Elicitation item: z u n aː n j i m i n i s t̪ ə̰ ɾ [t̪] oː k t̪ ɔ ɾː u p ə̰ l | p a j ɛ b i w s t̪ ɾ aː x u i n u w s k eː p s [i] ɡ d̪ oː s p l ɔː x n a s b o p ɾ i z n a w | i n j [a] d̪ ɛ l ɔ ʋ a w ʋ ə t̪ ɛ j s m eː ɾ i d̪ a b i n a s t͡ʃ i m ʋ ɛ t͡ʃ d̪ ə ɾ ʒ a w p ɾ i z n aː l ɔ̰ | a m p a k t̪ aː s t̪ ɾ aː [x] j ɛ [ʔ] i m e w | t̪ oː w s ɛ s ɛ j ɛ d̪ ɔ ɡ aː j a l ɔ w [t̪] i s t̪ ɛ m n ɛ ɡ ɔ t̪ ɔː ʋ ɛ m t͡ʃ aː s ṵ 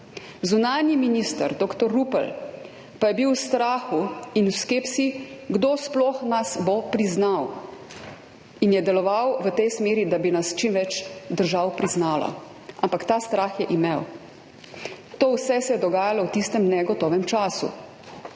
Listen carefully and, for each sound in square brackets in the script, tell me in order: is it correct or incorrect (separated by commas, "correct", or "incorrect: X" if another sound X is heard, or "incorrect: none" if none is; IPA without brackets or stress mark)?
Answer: incorrect: d̪, correct, incorrect: ɛ, correct, correct, correct